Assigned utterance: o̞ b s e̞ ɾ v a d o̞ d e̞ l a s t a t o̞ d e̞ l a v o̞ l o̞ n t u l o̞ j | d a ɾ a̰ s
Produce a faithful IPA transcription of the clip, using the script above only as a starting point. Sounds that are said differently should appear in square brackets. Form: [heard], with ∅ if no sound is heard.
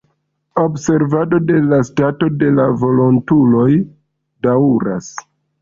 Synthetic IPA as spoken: o̞ b s e̞ ɾ v a d o̞ d e̞ l a s t a t o̞ d e̞ l a v o̞ l o̞ n t u l o̞ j | d a ɾ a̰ s